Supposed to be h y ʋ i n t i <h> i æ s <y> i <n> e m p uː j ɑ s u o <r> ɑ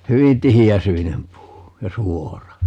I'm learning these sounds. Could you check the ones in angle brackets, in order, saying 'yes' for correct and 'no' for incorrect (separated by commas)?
yes, yes, yes, yes